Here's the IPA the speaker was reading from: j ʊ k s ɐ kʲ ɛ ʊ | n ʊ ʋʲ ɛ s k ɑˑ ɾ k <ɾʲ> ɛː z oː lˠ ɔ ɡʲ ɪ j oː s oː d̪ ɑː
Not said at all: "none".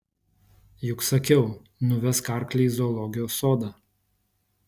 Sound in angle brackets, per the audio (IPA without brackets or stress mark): lʲ